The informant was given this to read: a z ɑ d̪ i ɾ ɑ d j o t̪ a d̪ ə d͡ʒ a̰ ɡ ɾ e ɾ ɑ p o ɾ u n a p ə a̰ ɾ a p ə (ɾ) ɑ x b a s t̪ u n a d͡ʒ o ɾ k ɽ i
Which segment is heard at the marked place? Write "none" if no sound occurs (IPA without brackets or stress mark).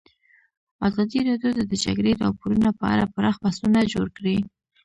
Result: ɾ